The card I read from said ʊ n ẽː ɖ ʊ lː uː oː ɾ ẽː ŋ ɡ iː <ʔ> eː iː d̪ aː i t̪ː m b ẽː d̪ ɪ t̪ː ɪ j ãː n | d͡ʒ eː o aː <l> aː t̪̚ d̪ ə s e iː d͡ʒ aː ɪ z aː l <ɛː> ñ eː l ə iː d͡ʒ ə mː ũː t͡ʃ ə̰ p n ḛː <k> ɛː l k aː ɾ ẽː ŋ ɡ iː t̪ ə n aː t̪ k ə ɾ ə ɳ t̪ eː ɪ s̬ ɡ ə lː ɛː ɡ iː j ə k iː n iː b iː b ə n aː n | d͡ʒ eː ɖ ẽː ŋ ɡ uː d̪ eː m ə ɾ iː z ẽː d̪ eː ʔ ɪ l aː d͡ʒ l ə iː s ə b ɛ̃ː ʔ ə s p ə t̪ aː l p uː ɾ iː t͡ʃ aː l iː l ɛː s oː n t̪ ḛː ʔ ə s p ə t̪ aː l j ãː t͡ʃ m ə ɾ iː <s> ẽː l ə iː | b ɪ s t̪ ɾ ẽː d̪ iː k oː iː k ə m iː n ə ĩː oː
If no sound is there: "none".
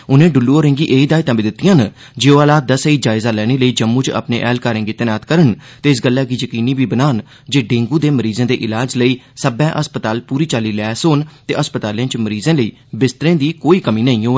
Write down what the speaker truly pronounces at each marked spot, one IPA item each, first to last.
ʔ, l, ɛː, ʔ, z

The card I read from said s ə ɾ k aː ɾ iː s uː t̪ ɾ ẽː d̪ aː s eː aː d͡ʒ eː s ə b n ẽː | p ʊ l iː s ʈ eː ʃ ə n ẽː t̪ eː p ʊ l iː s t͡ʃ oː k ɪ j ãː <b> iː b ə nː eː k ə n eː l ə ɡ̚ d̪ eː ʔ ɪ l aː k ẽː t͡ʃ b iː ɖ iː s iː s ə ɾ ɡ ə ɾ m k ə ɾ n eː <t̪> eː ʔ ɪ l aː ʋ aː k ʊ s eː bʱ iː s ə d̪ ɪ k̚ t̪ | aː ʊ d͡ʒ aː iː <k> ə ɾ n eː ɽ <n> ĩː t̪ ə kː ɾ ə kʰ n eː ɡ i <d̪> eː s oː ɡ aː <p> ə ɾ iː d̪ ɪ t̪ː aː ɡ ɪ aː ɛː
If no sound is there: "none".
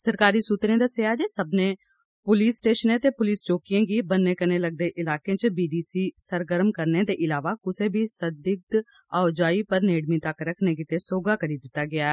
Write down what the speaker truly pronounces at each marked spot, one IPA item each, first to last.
ɡ, d̪, p, m, t̪, k

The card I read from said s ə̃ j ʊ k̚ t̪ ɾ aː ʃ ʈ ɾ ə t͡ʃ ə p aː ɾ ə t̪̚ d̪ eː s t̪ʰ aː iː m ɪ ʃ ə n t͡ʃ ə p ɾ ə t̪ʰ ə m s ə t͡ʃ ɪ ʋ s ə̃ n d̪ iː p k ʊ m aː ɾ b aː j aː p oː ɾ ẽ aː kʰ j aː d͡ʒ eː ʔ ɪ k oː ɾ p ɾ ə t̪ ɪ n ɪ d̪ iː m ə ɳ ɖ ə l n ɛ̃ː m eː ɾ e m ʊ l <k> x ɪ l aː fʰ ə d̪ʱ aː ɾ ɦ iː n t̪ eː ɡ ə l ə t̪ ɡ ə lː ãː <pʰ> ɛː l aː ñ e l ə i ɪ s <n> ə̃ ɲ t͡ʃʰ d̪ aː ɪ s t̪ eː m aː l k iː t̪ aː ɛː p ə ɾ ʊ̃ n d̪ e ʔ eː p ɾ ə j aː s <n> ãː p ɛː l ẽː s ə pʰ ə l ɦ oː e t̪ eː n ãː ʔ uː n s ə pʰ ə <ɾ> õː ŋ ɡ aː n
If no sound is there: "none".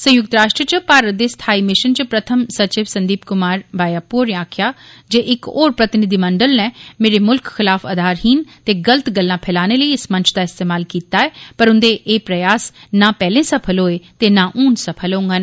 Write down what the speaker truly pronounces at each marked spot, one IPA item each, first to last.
k, pʰ, m, n, l

